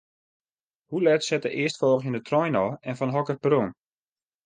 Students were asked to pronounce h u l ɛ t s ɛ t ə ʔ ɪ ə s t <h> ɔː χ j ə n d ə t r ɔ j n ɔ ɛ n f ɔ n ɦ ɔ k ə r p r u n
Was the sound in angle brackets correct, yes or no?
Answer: no